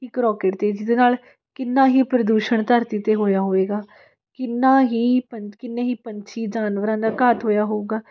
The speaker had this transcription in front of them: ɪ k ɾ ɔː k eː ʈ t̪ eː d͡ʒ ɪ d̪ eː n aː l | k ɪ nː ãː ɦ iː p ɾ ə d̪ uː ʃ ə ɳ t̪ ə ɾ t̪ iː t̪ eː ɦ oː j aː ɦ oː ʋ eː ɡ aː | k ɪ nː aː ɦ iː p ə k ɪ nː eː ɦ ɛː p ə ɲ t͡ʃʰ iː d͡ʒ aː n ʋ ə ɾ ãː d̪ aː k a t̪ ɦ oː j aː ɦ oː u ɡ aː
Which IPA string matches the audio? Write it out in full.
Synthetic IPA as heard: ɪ k ɾ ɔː k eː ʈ t̪ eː d͡ʒ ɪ d̪ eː n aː l | k ɪ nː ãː ɦ iː p ɾ ə d̪ uː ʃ ə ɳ t̪ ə ɾ t̪ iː t̪ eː ɦ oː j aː ɦ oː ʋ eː ɡ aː | k ɪ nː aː ɦ iː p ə k ɪ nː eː ɦ iː p ə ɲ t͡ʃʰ iː d͡ʒ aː n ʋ ə ɾ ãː d̪ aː k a t̪ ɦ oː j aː ɦ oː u ɡ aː